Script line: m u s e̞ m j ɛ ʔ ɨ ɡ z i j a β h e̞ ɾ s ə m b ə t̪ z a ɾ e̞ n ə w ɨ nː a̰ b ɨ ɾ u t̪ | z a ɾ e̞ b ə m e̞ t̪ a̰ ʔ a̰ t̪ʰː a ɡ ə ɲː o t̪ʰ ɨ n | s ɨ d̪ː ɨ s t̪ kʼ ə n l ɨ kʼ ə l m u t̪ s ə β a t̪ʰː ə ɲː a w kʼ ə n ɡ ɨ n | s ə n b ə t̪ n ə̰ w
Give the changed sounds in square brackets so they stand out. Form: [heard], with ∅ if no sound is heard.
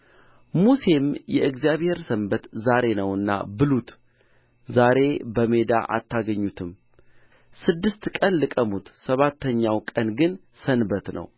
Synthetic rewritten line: m u s e̞ m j ɛ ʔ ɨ ɡ z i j a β h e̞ ɾ s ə m b ə t̪ z a ɾ e̞ n ə w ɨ nː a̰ b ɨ [l] u t̪ | z a ɾ e̞ b ə m e̞ [d̪] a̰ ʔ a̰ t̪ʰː a ɡ ə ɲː [u] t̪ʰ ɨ [m] | s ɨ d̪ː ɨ s t̪ kʼ ə n l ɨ kʼ ə [∅] m u t̪ s ə β a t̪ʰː ə ɲː a w kʼ ə n ɡ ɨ n | s ə n b ə t̪ n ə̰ w